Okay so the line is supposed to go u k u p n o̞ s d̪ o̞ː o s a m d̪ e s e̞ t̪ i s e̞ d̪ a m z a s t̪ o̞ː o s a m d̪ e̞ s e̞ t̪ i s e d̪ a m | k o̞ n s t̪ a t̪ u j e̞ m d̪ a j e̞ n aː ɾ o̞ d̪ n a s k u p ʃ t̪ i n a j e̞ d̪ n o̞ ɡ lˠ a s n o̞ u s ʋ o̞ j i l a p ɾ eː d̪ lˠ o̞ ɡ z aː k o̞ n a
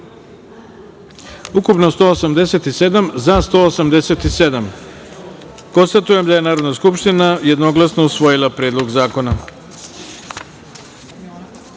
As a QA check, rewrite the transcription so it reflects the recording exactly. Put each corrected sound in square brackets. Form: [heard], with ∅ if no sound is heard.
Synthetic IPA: u k u p n o̞ s [t̪] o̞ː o s a m d̪ e s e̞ t̪ i s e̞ d̪ a m z a s t̪ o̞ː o s a m d̪ e̞ s e̞ t̪ i s e d̪ a m | k o̞ n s t̪ a t̪ u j e̞ m d̪ a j e̞ n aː ɾ o̞ d̪ n a s k u p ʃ t̪ i n a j e̞ d̪ n o̞ ɡ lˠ a s n o̞ u s ʋ o̞ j i l a p ɾ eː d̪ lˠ o̞ ɡ z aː k o̞ n a

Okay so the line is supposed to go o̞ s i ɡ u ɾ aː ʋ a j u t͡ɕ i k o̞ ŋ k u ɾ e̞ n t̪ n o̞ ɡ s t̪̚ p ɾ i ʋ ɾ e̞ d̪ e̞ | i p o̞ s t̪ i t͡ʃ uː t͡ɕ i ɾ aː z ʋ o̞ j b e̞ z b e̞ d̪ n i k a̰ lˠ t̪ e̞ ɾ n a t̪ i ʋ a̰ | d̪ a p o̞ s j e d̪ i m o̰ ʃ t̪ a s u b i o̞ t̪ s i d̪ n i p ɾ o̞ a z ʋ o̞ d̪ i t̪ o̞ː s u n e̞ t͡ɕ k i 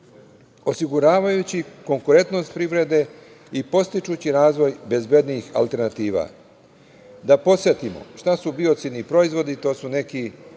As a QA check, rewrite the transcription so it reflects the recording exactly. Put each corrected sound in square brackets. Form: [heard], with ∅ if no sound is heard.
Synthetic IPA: o̞ s i ɡ u ɾ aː ʋ a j u t͡ɕ i k o̞ ŋ k u ɾ e̞ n t̪ n o̞ [∅] s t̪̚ p ɾ i ʋ ɾ e̞ d̪ e̞ | i p o̞ s t̪ i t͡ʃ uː t͡ɕ i ɾ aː z ʋ o̞ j b e̞ z b e̞ d̪ n i [x] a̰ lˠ t̪ e̞ ɾ n a t̪ [iː] ʋ a̰ | d̪ a p o̞ s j e [t̪] i m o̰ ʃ t̪ a s u b i o̞ t̪ s i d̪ n i p ɾ o̞ [i] z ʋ o̞ d̪ i t̪ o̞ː s u n e̞ [∅] k i

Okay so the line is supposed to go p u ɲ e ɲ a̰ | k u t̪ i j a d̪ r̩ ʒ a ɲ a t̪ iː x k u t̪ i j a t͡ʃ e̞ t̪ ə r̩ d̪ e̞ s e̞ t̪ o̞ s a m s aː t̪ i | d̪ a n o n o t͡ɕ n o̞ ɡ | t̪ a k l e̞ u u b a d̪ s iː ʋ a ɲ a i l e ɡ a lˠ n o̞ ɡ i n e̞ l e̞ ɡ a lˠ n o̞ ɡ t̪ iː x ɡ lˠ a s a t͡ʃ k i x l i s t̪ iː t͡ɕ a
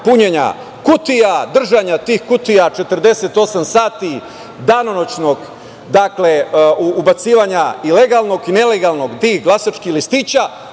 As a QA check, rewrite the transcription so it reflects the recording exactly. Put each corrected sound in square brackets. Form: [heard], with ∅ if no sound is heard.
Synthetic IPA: p u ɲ e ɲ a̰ | k u t̪ i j a d̪ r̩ ʒ a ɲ a t̪ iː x k u t̪ i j a t͡ʃ e̞ t̪ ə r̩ d̪ e̞ s e̞ t̪ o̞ s a m s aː t̪ i | d̪ a n o n o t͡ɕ n o̞ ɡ | [d̪] a k l e̞ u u b a [t̪] s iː ʋ a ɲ a i l e ɡ a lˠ n o̞ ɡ i n e̞ l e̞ ɡ a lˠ n o̞ ɡ t̪ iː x ɡ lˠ a s a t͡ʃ k i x l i s t̪ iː t͡ɕ a

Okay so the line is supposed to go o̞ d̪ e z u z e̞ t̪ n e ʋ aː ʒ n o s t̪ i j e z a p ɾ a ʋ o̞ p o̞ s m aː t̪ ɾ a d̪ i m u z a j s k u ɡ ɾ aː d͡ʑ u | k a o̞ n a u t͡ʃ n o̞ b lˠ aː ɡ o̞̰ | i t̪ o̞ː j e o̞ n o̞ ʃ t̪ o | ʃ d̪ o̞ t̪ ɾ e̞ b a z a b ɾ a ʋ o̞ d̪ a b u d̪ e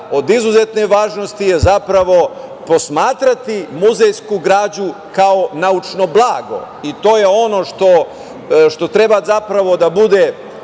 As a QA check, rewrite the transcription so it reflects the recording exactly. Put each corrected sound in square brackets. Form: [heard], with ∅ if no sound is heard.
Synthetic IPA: o̞ d̪ [i] z u z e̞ t̪ n e ʋ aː ʒ n o s t̪ i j e z a p ɾ a ʋ o̞ p o̞ s m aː t̪ ɾ a [t̪] i m u z [e] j s k u ɡ ɾ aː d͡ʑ u | k a o̞ n a u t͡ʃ n o̞ b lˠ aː ɡ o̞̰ | i t̪ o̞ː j e o̞ n o̞ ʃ t̪ o | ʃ [t̪] o̞ t̪ ɾ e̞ b a z a [p] ɾ a ʋ o̞ d̪ a b u d̪ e

